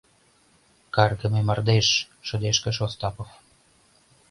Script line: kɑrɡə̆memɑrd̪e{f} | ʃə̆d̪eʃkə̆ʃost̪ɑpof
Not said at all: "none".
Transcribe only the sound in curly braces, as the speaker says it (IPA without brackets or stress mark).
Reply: ʃ